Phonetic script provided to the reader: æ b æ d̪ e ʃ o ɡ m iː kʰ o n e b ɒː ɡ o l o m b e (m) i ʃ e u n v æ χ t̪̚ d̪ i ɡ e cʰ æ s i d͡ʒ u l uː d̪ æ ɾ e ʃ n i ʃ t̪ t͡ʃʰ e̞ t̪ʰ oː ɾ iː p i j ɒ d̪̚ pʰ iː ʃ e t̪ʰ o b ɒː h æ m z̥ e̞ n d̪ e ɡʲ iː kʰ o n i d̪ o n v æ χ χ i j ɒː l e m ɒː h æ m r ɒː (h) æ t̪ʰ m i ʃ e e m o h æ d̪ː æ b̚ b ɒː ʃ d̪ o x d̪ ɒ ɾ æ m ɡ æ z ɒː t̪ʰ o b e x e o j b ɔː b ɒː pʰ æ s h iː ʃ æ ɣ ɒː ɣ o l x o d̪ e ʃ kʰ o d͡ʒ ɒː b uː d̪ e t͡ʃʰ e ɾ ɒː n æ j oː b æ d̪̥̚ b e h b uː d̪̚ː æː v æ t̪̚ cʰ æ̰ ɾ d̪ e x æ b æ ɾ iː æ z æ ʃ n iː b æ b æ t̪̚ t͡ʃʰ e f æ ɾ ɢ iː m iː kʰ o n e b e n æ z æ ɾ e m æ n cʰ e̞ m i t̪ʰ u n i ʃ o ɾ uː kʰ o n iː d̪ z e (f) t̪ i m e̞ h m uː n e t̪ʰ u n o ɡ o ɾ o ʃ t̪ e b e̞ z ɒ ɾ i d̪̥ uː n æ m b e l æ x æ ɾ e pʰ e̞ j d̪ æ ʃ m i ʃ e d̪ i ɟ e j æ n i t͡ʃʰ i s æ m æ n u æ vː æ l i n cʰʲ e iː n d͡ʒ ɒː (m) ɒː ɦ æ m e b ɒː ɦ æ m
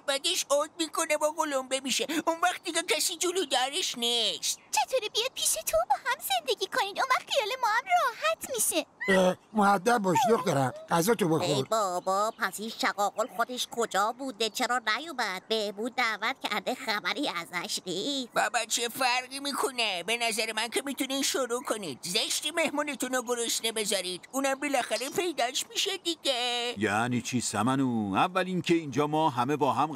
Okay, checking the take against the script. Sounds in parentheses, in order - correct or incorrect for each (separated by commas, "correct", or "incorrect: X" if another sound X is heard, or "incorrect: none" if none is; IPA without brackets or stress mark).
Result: correct, correct, incorrect: ʃ, correct